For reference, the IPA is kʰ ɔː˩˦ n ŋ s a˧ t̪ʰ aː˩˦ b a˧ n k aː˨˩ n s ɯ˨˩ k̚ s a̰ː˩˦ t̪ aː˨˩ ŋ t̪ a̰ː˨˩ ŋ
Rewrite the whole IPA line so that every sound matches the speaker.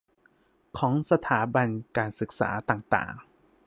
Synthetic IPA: kʰ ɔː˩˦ ŋ s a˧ t̪ʰ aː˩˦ b a˧ n k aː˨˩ n s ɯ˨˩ k̚ s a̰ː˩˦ t̪ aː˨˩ ŋ t̪ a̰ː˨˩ ŋ